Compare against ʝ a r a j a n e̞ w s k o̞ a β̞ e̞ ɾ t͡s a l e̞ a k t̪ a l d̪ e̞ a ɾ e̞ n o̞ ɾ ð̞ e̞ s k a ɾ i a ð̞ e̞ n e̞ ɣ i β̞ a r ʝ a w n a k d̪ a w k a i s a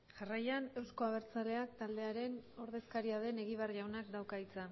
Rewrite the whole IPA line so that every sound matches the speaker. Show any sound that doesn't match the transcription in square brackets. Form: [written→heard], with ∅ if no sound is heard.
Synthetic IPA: ʝ a r a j a n e̞ w s k o̞ a β̞ e̞ ɾ t͡s a l e̞ a k t̪ a l d̪ e̞ a ɾ e̞ n o̞ ɾ ð̞ e̞ s k a ɾ i a ð̞ e̞ n e̞ ɣ i β̞ a r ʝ a w n a k d̪ a w k a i [s→t͡s] a

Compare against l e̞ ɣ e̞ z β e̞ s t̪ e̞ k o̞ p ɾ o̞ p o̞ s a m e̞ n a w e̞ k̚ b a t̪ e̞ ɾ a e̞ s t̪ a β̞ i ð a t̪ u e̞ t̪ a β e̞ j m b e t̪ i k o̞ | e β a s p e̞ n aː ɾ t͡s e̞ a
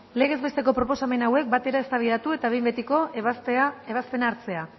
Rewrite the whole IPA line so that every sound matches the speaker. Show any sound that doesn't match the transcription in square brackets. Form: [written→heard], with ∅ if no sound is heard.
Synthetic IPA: l e̞ ɣ e̞ z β e̞ s t̪ e̞ k o̞ p ɾ o̞ p o̞ s a m e̞ n a w e̞ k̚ b a t̪ e̞ ɾ a e̞ s t̪ a β̞ i ð a t̪ u e̞ t̪ a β e̞ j m b e t̪ i k o̞ | e β a s p e̞ n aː ɾ t͡s e̞ a

